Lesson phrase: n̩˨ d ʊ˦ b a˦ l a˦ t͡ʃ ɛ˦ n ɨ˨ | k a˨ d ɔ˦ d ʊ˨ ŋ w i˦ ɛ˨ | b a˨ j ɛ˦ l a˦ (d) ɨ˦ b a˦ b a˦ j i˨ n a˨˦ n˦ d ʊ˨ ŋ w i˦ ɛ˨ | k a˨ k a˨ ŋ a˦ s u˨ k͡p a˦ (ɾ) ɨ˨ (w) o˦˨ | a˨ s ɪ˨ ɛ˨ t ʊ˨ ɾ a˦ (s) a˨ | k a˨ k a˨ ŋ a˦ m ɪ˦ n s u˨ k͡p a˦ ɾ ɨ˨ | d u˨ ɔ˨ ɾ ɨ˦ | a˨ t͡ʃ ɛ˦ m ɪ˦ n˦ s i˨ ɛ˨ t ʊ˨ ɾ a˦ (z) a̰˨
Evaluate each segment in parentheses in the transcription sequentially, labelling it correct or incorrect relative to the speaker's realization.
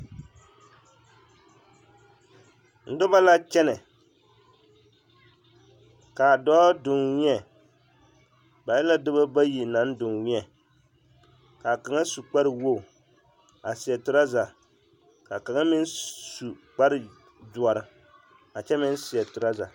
correct, correct, correct, incorrect: z, correct

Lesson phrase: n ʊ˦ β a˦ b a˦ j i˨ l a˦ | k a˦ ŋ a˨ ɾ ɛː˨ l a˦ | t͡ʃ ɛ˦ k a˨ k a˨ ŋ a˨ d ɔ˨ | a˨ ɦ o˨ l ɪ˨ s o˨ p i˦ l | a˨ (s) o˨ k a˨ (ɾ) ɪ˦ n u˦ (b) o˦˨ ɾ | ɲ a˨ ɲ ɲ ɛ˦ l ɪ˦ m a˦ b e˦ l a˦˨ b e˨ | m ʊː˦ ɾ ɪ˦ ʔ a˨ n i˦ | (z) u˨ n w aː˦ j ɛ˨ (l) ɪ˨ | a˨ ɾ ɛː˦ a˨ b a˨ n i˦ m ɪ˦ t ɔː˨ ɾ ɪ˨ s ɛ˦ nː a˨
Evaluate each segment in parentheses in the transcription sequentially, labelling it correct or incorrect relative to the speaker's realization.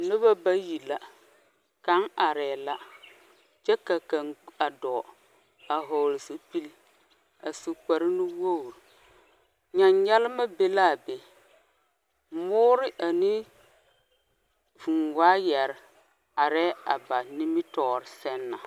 correct, correct, incorrect: w, incorrect: v, incorrect: ɾ

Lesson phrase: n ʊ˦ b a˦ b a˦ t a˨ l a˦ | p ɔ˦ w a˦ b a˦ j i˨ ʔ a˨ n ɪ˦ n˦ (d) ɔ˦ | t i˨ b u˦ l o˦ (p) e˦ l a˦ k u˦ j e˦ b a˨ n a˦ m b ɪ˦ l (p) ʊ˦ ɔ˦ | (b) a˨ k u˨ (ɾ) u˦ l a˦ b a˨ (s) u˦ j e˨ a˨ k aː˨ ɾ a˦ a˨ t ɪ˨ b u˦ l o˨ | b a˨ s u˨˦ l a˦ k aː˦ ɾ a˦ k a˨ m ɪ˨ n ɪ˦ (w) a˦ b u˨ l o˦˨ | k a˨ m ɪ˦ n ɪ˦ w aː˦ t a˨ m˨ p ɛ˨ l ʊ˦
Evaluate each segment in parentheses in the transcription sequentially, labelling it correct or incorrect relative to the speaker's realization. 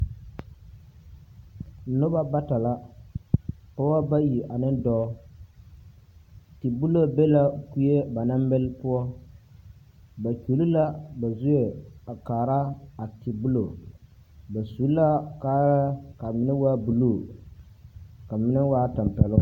correct, incorrect: b, correct, correct, incorrect: l, incorrect: z, correct

